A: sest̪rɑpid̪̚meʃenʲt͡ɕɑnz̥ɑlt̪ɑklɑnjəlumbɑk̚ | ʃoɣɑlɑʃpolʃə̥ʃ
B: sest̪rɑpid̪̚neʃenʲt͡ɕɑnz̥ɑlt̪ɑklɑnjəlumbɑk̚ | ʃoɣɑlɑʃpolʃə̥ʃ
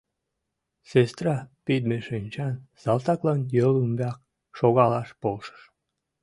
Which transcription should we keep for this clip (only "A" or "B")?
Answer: A